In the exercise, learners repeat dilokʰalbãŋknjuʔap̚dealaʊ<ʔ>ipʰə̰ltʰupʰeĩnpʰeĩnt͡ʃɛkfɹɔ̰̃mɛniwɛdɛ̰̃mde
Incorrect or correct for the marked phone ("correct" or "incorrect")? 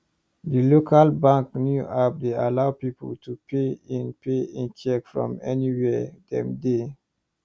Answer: incorrect